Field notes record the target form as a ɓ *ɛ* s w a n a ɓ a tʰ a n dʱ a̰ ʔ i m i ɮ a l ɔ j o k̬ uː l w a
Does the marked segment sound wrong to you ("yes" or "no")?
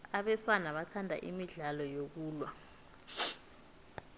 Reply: no